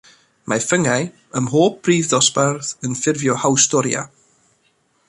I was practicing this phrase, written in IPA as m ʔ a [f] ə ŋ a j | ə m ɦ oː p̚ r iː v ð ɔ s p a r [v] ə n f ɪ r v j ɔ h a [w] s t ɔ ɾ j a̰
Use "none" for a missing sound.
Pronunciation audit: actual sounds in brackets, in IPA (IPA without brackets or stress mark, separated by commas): f, ð, w